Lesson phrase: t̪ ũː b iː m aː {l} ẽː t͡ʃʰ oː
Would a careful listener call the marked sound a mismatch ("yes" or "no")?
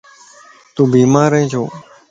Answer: yes